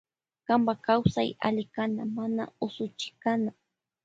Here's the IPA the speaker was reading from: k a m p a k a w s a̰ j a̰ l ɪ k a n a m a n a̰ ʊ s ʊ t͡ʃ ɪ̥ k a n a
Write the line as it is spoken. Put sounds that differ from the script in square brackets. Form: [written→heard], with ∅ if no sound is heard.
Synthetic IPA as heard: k a m [p→b] a k a w s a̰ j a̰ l ɪ k a n a m a n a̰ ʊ s ʊ t͡ʃ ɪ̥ k a n a